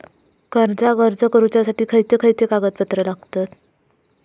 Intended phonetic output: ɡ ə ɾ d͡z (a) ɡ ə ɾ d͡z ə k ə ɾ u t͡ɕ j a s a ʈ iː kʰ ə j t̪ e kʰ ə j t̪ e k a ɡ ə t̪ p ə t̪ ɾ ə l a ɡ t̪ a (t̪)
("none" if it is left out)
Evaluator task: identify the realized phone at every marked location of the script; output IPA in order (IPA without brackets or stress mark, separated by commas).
a, t̪